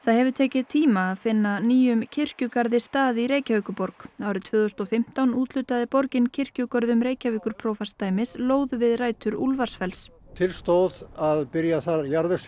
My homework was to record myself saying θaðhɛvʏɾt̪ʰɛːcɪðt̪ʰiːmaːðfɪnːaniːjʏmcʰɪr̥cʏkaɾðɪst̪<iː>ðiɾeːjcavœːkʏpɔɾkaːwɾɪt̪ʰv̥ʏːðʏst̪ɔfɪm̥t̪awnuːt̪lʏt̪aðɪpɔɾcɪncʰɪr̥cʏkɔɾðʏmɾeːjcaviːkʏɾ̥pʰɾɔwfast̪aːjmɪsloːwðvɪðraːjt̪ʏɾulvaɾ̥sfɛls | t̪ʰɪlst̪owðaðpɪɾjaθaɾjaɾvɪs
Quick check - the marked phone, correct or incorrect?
incorrect: aː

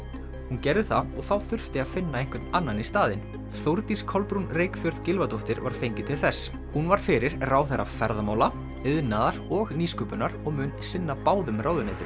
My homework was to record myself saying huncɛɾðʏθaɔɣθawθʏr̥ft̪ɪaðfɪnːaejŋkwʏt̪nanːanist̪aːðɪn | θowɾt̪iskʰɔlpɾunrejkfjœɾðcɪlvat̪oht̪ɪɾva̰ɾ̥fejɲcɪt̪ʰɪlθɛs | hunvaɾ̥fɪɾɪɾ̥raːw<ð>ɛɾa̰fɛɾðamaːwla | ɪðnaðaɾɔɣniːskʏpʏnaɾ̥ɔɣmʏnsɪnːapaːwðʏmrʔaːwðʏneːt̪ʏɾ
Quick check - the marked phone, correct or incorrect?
incorrect: θ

